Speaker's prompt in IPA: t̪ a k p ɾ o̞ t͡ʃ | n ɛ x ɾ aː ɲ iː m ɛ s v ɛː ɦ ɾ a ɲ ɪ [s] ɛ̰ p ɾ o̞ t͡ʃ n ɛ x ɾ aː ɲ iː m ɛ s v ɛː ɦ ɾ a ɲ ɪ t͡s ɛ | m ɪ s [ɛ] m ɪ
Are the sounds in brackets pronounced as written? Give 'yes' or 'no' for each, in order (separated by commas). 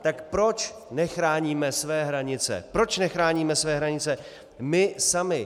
no, no